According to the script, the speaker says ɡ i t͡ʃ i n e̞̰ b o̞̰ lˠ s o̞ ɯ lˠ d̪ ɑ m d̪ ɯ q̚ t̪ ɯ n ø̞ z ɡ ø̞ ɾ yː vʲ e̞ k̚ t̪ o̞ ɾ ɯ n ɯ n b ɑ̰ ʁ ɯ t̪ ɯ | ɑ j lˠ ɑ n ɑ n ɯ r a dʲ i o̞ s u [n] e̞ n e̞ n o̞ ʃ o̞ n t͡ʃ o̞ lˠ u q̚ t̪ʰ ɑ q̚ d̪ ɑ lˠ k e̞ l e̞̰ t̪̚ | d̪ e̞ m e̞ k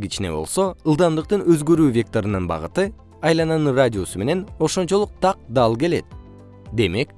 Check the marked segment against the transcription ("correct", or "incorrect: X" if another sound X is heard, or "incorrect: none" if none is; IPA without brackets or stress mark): incorrect: m